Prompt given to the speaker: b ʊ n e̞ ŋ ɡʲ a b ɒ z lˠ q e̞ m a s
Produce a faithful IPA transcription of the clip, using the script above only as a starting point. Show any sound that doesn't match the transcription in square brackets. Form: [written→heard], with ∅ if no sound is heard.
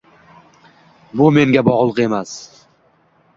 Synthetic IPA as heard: b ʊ [n→m] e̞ ŋ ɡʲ a b ɒ [z→ʁ] lˠ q e̞ m a s

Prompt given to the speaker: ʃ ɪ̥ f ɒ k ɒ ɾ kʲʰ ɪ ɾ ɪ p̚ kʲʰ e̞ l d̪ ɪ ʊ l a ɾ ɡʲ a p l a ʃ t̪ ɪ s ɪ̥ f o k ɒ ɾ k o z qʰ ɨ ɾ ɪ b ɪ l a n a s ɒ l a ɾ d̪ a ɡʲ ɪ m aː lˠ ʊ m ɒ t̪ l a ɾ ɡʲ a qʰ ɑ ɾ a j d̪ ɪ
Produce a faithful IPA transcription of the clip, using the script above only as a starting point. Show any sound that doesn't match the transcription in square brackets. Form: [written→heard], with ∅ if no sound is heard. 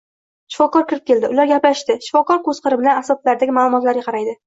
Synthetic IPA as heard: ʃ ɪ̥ f ɒ k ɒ ɾ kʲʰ ɪ ɾ ɪ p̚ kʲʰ e̞ l d̪ ɪ ʊ l a ɾ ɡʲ a p l a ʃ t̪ ɪ [s→ʃ] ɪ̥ f [o→ɒ] k ɒ ɾ k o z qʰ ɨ ɾ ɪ b ɪ l a n a s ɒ l a ɾ d̪ a ɡʲ ɪ m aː lˠ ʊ m ɒ t̪ l a ɾ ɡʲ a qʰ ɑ ɾ a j d̪ ɪ

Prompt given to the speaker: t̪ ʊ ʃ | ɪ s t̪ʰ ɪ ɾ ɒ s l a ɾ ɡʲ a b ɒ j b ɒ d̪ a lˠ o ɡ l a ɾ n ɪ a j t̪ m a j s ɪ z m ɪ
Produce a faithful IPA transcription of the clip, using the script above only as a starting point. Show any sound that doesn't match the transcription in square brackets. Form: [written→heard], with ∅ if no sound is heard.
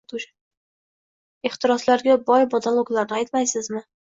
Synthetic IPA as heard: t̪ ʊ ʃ | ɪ [s→χ] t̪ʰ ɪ ɾ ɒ s l a ɾ ɡʲ a b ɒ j b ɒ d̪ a lˠ o ɡ l a ɾ n ɪ a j t̪ m a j s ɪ z m ɪ

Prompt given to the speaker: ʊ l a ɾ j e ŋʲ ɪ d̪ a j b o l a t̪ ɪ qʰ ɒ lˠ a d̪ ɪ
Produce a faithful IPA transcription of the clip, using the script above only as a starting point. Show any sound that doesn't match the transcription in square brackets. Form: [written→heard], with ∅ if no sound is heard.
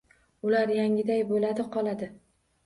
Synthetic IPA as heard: ʊ l a ɾ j [e→a] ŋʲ ɪ d̪ a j b o l a [t̪→d̪] ɪ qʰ ɒ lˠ a d̪ ɪ

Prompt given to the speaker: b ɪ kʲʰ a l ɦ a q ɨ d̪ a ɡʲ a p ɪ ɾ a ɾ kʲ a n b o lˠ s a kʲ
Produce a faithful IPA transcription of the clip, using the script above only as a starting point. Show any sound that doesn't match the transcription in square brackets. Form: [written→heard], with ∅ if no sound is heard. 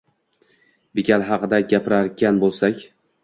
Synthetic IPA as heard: b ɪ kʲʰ a l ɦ [a→ɑ] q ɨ d̪ a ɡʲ a p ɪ ɾ a ɾ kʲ a n b o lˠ s a kʲ

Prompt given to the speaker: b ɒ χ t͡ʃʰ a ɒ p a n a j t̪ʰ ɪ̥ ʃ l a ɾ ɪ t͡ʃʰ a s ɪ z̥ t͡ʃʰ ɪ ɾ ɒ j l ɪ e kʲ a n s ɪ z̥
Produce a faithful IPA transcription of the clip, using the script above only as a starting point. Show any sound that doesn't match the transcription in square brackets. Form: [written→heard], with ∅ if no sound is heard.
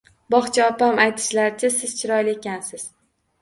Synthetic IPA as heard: b ɒ χ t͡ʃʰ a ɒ p a [n→m] a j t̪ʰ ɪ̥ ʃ l a ɾ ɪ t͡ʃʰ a s ɪ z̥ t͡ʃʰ ɪ ɾ ɒ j l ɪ e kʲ a n s ɪ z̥

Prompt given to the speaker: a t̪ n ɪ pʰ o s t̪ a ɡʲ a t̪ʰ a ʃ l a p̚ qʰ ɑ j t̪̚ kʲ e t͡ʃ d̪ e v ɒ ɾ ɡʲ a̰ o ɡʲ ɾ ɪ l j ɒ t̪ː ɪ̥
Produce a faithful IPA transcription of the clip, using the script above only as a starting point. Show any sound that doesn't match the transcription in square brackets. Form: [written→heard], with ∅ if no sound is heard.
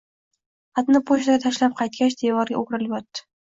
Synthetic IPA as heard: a t̪ n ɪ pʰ o [s→ʃ] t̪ a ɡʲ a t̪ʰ a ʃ l a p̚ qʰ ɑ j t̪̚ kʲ [e→a] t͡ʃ d̪ e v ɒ ɾ ɡʲ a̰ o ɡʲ ɾ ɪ l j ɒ t̪ː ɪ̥

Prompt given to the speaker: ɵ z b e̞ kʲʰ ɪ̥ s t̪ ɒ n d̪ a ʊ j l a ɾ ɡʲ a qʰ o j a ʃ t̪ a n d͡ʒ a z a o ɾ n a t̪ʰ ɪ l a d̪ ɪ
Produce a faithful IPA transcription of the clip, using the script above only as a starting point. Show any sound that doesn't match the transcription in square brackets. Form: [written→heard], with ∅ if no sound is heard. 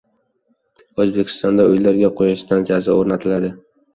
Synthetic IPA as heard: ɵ z b e̞ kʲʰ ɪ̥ s t̪ ɒ n d̪ a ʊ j l a ɾ ɡʲ a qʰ o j a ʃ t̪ a n d͡ʒ a z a o ɾ n a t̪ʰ ɪ l a d̪ ɪ

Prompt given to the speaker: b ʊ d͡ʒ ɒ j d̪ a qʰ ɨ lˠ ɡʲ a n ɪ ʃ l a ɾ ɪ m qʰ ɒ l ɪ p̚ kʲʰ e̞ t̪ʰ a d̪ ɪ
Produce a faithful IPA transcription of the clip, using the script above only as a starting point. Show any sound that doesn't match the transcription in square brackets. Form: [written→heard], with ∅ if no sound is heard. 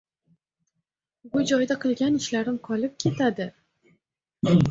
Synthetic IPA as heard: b ʊ d͡ʒ ɒ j d̪ a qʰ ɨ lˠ ɡʲ a n ɪ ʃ l a ɾ ɪ m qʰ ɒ l ɪ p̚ kʲʰ e̞ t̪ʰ a d̪ ɪ

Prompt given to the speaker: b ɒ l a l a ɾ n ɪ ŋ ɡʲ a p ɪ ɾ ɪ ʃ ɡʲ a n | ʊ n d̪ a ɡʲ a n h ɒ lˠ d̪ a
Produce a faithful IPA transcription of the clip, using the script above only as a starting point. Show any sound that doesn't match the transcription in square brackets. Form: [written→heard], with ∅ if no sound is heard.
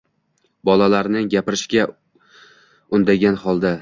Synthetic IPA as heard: b ɒ l a l a ɾ n ɪ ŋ ɡʲ a p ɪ ɾ ɪ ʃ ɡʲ a [n→∅] | ʊ n d̪ a ɡʲ a n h ɒ lˠ d̪ a

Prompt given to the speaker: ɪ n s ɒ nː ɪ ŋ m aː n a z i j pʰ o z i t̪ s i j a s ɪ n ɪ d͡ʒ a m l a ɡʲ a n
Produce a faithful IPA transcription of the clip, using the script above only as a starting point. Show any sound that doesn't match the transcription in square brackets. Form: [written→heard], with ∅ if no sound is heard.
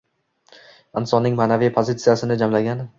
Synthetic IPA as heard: ɪ n s ɒ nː ɪ ŋ m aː n a [z→v] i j pʰ o z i t̪ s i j a s ɪ n ɪ d͡ʒ a m l a ɡʲ a n

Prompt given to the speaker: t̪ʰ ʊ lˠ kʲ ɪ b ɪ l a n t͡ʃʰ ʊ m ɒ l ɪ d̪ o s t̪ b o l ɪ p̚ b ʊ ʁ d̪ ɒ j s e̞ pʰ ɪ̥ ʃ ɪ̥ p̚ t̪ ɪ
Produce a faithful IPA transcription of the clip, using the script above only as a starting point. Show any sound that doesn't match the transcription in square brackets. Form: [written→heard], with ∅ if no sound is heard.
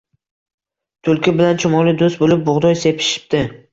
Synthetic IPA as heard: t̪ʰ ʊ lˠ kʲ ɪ b ɪ l a n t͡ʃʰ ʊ m ɒ l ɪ d̪ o s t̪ b o l ɪ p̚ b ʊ ʁ d̪ ɒ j s e̞ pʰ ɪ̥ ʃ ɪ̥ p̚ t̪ ɪ

